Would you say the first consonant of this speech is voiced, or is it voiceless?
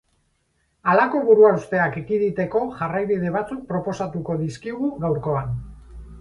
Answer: voiced